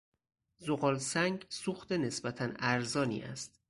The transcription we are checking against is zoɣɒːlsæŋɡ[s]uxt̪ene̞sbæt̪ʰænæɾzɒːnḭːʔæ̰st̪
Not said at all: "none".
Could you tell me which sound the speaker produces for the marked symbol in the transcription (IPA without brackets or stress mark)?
s